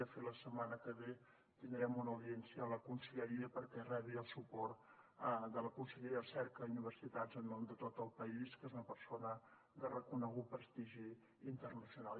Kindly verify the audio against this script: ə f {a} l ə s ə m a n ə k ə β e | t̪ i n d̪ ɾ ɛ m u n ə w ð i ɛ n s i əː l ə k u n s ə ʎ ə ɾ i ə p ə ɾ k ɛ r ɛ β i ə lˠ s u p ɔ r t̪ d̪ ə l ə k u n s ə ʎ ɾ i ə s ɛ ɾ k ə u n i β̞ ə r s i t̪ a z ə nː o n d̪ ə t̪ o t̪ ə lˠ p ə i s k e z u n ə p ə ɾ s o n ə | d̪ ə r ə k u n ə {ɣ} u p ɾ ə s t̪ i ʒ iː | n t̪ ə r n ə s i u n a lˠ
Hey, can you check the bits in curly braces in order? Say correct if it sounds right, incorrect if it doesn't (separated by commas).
incorrect, correct